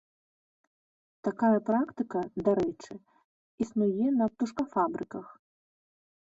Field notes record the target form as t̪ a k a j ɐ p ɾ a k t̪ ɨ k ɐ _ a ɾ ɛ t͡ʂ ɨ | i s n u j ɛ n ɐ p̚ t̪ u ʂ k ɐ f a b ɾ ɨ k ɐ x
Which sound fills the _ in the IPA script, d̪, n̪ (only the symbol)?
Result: d̪